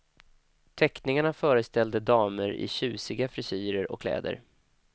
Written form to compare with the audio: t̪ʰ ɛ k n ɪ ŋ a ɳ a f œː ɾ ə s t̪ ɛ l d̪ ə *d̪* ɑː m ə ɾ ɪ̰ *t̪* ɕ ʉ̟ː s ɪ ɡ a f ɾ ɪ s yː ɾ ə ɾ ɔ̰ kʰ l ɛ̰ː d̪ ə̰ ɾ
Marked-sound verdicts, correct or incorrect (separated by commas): correct, incorrect